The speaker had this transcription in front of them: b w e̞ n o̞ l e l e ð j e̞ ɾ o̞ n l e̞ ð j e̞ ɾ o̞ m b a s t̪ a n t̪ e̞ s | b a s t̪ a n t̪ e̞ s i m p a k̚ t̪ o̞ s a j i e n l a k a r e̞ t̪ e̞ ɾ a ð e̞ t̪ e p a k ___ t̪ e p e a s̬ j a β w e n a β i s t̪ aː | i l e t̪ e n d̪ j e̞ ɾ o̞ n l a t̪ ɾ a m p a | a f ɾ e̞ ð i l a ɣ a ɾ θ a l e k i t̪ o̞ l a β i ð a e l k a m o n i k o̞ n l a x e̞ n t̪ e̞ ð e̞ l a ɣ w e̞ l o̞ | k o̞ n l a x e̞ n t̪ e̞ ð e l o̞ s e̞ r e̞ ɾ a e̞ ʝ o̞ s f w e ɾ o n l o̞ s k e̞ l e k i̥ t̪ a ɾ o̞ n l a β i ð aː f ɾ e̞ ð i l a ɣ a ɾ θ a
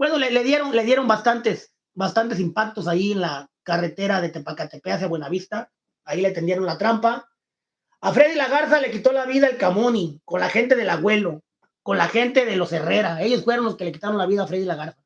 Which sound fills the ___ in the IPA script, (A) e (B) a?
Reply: B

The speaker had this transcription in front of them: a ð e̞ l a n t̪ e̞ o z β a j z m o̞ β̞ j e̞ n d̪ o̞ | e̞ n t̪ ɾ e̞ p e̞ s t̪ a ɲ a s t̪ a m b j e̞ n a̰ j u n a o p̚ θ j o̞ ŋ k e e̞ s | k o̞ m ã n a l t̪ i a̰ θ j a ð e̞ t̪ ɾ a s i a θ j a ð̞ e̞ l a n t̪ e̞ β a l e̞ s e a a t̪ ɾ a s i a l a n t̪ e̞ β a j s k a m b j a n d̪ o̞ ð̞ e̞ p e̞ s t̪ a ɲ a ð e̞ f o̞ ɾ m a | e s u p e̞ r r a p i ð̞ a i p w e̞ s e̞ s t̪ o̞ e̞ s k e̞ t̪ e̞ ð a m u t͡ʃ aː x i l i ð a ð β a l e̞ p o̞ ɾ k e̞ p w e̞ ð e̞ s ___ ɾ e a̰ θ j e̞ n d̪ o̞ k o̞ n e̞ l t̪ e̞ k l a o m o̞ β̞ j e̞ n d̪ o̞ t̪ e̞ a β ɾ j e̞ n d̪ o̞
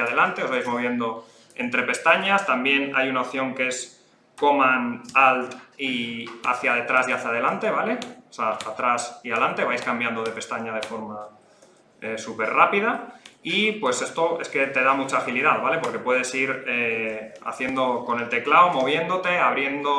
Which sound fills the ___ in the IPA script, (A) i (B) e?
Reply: A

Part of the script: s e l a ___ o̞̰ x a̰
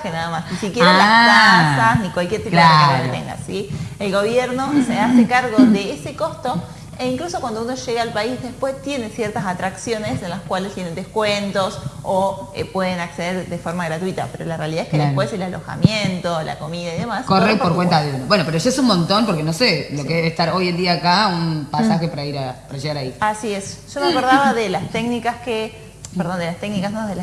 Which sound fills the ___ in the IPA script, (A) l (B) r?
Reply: A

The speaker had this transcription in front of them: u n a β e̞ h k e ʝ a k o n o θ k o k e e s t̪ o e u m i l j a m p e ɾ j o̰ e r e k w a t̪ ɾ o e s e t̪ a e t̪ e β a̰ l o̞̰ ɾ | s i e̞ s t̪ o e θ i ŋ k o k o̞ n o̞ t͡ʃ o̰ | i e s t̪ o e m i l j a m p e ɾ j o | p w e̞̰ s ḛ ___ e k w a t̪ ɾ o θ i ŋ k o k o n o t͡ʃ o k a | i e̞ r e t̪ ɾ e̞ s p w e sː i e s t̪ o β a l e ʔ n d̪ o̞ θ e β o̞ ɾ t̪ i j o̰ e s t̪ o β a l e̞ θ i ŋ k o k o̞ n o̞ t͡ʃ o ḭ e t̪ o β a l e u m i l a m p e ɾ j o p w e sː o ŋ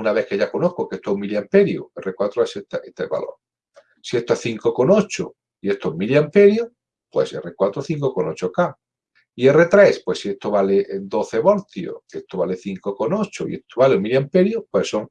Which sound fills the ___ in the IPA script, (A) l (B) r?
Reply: B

